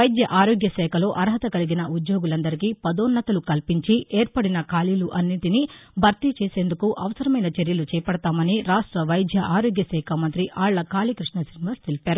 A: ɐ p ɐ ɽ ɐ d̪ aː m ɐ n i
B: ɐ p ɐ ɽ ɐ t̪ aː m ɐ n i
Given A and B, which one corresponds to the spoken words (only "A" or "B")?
B